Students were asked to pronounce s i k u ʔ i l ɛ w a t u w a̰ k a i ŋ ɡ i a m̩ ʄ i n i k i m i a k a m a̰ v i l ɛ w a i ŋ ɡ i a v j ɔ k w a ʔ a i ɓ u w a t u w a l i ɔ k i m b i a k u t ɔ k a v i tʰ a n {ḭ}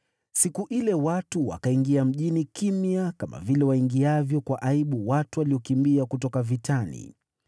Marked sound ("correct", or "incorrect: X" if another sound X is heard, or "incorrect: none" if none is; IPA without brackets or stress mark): correct